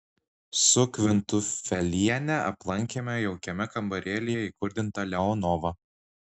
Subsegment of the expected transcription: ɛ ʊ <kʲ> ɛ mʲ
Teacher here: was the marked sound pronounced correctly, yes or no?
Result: yes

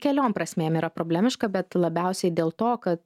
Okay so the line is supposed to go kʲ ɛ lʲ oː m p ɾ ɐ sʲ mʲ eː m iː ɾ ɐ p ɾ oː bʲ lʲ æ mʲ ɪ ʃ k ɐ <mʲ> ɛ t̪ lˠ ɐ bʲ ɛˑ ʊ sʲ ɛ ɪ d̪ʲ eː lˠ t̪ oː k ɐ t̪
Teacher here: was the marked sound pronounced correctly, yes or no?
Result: no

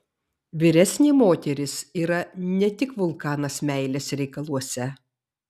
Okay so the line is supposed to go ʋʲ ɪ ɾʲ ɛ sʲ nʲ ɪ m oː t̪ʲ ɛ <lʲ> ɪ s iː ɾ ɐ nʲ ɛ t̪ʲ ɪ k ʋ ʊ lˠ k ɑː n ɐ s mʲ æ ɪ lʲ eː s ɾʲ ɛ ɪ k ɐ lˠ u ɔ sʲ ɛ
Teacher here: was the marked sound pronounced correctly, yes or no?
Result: no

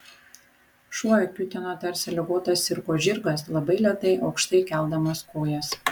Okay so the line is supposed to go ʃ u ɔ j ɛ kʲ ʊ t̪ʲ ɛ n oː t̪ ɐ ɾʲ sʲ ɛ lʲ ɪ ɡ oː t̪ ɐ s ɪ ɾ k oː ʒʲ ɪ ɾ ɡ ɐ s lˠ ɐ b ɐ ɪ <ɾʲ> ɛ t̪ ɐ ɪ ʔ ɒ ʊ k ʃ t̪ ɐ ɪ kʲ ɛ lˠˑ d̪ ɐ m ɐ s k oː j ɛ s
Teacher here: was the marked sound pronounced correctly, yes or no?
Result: no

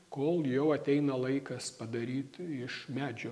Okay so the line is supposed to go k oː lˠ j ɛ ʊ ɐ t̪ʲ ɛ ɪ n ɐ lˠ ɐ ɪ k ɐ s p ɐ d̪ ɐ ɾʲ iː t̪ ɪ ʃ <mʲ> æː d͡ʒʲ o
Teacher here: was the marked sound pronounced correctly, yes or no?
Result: yes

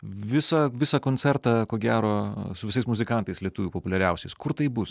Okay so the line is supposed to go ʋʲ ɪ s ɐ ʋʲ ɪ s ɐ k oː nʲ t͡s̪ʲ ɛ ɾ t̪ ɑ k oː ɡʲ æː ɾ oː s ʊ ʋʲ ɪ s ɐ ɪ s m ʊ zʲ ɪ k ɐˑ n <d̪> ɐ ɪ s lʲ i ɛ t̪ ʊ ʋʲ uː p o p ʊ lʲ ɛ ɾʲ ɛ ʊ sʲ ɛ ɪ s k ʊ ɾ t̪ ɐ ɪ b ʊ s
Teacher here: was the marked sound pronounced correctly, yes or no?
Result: no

